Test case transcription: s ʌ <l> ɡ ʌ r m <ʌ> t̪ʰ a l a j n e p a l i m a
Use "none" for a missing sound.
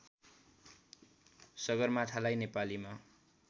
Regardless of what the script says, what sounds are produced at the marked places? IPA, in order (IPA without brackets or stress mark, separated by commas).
none, a